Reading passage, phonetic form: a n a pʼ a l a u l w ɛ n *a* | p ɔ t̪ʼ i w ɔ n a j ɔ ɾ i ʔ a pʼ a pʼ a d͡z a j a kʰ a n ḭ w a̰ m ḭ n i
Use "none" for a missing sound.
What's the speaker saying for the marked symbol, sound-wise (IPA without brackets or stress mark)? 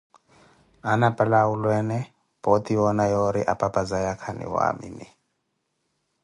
ɛ